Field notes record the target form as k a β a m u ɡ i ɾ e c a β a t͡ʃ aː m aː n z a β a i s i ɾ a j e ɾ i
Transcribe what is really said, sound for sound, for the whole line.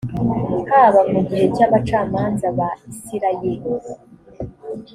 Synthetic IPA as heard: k a β a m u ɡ i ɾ e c a β a t͡ʃ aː m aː n z a β a i s i ɾ a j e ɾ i